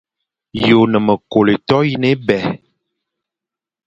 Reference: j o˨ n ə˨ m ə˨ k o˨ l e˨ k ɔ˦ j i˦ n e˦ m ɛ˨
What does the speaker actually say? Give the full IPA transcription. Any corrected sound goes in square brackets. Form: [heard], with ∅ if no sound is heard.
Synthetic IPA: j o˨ n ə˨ m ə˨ k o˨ l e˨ [t] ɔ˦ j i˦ n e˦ [b] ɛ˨